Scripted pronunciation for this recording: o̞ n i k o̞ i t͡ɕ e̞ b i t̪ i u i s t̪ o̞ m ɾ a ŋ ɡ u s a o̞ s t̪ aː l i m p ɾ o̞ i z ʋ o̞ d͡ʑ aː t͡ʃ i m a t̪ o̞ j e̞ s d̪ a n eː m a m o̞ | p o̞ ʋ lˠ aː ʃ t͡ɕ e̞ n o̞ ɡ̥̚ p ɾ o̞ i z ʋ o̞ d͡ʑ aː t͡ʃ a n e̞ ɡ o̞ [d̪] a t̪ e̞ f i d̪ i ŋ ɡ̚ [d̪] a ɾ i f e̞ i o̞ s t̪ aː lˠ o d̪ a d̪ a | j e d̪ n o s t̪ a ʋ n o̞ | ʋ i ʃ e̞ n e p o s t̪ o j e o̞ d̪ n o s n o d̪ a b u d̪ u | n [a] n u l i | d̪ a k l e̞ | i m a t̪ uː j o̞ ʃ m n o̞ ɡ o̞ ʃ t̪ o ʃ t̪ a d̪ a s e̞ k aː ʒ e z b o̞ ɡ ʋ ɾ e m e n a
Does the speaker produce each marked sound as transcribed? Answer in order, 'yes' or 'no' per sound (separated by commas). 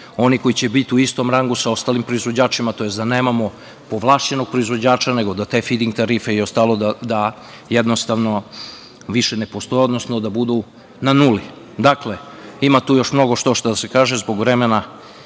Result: yes, no, yes